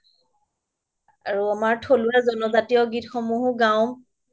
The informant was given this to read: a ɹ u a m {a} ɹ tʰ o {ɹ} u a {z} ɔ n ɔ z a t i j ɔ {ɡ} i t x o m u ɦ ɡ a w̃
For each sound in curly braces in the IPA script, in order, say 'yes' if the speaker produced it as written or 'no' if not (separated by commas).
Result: yes, no, yes, yes